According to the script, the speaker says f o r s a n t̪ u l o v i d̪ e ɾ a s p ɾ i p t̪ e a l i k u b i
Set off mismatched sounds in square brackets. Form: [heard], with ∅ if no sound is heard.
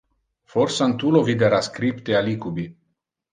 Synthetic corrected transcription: f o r s a n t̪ u l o v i d̪ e ɾ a s [k] ɾ i p t̪ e a l i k u b i